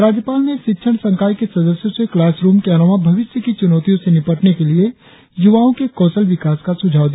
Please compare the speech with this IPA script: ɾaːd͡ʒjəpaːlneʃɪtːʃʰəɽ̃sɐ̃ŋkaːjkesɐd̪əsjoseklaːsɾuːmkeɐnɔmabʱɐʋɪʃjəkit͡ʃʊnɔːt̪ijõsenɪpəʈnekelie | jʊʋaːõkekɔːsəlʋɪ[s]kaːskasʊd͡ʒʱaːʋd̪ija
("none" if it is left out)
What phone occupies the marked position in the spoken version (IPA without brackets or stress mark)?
none